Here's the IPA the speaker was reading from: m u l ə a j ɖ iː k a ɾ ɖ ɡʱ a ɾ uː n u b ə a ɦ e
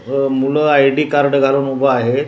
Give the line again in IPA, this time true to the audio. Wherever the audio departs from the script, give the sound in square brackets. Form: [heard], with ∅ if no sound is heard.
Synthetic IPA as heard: m u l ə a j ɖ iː k a ɾ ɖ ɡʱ a [l] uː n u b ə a ɦ e